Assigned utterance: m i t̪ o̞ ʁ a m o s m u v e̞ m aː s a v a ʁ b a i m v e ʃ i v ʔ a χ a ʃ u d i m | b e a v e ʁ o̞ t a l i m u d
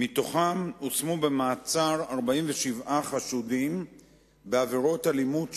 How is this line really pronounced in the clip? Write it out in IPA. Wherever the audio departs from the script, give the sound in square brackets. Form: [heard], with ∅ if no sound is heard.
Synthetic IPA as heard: m i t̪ o̞ [χ] a m o s m u [b] e̞ m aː [t͡s] a [ʁ] a ʁ b a i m v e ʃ i v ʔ a χ a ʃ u d i m | b e a v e ʁ o̞ t a l i m u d